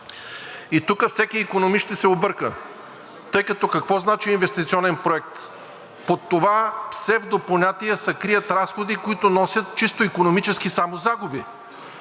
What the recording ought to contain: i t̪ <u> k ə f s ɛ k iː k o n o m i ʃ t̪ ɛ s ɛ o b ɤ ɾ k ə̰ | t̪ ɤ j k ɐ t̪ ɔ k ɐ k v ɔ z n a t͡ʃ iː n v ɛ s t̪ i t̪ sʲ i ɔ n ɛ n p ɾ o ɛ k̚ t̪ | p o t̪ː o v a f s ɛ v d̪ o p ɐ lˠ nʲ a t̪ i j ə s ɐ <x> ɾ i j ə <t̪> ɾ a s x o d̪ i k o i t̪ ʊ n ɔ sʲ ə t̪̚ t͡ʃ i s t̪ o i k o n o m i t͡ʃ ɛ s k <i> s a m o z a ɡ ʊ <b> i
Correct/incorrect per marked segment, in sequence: correct, incorrect: k, correct, correct, correct

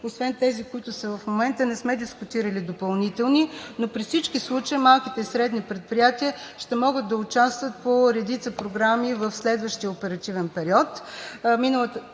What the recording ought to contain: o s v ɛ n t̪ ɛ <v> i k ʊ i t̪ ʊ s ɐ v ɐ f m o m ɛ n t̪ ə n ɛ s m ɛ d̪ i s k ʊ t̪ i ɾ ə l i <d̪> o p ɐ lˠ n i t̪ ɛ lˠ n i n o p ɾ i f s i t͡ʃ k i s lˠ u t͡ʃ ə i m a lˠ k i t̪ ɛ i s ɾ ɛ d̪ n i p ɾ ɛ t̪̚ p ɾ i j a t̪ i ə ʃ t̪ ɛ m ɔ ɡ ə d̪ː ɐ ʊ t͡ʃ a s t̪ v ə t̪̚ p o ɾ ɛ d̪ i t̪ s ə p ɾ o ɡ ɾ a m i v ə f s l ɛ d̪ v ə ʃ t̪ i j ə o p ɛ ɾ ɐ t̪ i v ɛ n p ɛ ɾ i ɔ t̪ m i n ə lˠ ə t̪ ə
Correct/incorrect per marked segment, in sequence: incorrect: z, correct

